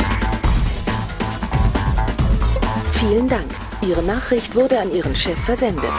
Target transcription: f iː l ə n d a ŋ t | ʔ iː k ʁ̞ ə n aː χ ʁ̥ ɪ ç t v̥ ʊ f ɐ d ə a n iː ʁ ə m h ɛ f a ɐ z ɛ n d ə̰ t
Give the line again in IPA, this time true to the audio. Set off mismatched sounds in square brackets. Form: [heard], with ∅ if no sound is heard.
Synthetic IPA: f iː l ə n d a ŋ [k] | ʔ iː [∅] ʁ̞ ə n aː χ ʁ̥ ɪ ç t v̥ ʊ [∅] ɐ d ə a n iː ʁ ə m [ʃ] ɛ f [ɛ] ɐ z ɛ n d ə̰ t